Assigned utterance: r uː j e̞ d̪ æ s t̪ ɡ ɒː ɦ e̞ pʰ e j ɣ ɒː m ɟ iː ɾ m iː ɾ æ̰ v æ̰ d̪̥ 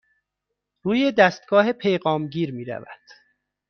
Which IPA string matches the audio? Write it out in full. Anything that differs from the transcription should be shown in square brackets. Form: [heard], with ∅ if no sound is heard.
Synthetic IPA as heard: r uː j e̞ d̪ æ s t̪ ɡ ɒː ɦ e̞ pʰ e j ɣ ɒː m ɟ iː ɾ m iː ɾ æ̰ v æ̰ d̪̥